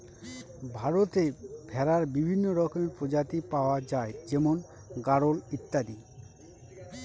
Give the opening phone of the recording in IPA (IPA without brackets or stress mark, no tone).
bʱ